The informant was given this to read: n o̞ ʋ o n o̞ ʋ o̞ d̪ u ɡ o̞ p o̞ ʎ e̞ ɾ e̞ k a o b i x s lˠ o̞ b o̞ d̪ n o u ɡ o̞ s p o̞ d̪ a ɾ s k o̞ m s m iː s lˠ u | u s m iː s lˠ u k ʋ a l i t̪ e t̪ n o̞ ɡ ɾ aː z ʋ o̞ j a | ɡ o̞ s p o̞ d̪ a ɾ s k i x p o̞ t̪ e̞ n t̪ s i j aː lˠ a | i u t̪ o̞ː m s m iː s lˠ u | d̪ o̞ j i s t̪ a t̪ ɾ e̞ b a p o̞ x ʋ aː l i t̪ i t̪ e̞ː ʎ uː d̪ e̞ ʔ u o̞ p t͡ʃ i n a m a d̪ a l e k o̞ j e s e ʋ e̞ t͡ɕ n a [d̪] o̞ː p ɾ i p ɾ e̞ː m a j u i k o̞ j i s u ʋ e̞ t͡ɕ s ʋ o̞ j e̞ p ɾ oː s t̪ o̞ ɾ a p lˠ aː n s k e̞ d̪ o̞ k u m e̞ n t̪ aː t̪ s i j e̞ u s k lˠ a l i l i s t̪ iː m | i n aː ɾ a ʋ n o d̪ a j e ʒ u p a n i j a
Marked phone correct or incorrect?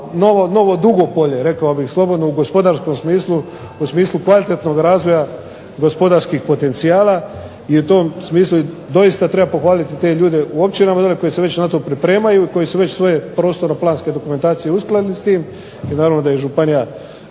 incorrect: t̪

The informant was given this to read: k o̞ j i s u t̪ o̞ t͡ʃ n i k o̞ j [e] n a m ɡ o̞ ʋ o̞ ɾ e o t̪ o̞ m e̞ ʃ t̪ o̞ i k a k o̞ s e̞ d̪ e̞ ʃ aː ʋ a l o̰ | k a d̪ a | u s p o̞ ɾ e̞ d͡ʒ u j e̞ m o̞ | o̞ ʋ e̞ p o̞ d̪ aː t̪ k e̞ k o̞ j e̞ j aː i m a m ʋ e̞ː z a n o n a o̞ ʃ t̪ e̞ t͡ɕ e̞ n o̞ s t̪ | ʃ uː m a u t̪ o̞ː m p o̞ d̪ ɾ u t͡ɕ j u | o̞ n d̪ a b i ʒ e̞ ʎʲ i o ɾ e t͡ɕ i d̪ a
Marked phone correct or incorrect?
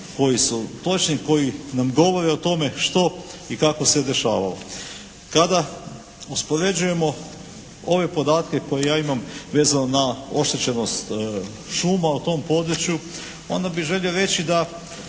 incorrect: i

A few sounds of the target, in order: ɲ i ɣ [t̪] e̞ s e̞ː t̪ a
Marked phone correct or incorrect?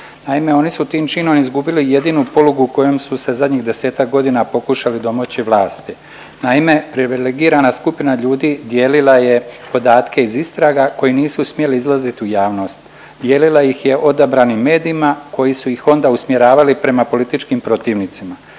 incorrect: d̪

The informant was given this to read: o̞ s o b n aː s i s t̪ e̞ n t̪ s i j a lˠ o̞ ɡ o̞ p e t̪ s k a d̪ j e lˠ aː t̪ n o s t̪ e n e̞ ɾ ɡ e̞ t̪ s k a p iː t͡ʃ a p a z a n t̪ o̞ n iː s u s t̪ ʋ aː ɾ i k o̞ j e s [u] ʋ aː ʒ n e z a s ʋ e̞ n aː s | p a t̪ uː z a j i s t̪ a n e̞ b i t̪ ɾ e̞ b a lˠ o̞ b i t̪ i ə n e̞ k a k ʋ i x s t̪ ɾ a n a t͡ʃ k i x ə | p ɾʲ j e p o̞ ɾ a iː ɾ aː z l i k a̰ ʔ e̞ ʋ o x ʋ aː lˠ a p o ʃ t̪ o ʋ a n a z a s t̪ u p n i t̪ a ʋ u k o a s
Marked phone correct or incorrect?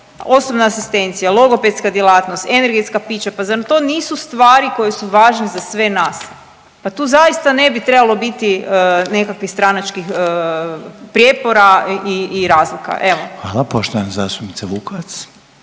correct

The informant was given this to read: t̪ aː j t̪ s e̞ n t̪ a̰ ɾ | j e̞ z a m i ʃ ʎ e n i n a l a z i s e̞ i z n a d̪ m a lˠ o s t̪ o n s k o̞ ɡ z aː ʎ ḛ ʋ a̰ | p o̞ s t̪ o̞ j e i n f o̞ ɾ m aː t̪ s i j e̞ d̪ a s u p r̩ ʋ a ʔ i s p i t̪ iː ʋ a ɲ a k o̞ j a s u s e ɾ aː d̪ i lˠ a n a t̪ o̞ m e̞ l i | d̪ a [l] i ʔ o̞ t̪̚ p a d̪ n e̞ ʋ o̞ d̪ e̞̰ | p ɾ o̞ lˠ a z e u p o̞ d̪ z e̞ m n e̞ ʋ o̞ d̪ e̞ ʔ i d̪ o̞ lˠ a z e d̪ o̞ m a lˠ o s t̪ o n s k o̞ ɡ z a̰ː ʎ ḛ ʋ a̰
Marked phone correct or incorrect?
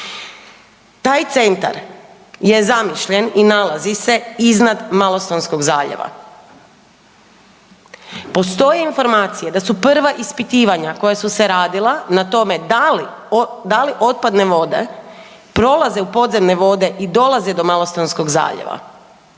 correct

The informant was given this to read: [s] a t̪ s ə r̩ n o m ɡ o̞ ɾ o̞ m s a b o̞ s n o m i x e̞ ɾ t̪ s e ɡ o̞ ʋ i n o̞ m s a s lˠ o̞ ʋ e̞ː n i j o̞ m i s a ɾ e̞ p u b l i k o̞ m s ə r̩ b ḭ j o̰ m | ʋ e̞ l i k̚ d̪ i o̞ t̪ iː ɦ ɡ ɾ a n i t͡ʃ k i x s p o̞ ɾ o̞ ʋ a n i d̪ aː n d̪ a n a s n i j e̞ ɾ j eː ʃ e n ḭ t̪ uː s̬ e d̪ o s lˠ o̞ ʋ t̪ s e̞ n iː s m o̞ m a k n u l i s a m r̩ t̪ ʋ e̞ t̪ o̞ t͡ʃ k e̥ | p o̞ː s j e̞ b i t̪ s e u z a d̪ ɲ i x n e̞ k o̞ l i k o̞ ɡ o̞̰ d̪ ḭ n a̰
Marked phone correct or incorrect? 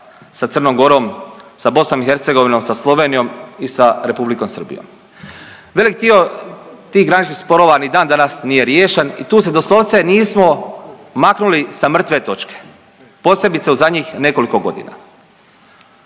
correct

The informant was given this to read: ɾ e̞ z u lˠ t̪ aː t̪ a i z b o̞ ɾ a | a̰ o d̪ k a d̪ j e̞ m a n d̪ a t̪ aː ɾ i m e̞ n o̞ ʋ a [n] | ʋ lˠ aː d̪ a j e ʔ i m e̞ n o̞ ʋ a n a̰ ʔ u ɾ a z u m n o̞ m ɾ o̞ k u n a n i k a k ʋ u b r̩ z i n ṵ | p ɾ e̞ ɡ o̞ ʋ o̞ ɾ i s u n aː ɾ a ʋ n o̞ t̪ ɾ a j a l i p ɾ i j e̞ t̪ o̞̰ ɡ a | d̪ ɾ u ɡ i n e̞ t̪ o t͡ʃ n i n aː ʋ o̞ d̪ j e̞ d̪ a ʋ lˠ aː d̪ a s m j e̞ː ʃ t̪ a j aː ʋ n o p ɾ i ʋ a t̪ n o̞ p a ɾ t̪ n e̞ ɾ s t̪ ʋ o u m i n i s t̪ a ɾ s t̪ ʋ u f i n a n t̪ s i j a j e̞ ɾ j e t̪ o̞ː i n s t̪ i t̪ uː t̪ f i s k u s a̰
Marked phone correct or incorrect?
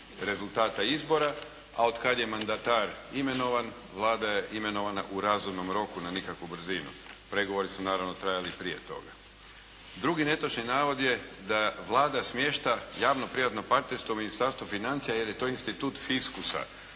correct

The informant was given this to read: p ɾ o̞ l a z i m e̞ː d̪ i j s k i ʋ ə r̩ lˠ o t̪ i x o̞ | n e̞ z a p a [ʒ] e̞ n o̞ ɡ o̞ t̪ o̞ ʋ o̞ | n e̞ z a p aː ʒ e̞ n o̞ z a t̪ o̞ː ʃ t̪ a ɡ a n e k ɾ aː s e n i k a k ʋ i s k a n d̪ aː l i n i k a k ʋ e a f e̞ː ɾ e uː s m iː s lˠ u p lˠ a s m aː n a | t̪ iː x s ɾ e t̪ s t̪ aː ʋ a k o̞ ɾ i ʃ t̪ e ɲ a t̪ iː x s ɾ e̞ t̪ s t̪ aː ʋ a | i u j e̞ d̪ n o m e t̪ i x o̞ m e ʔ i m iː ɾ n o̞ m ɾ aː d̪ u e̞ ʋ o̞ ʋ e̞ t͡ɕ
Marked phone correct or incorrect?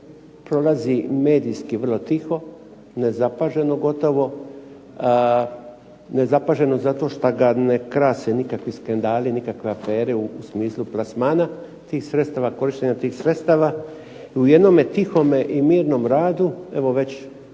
correct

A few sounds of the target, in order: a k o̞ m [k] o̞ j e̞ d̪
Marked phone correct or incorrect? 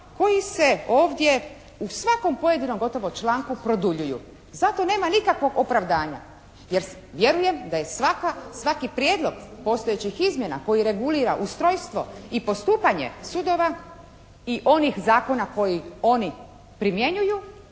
incorrect: p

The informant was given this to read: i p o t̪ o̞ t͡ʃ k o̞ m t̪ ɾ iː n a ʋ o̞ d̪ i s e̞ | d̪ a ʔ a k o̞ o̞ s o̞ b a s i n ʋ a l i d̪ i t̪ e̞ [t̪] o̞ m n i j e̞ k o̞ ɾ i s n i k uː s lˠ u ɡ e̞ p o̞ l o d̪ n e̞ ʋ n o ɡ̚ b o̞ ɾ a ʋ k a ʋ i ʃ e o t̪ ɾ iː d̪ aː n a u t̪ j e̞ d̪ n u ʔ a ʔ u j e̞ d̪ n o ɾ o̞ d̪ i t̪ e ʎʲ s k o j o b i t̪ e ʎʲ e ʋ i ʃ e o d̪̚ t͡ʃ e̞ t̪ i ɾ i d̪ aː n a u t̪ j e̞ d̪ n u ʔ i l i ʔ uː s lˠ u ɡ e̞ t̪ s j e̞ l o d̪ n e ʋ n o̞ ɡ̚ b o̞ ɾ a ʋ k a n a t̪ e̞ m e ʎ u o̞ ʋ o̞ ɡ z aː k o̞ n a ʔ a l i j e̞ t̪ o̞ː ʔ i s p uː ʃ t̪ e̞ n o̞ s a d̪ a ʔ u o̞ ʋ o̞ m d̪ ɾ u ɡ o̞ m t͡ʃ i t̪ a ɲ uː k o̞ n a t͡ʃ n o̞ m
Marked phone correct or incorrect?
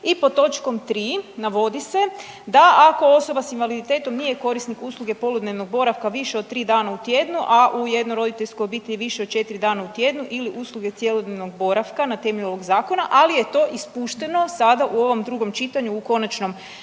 correct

